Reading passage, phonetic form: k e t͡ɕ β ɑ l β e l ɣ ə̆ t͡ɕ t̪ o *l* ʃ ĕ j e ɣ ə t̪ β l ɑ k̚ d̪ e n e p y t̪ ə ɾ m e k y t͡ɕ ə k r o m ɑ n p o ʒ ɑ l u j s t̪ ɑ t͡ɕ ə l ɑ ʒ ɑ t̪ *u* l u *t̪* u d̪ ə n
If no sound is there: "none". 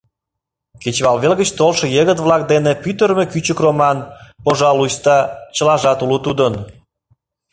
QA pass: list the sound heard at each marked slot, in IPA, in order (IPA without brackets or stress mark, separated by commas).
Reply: l, u, t̪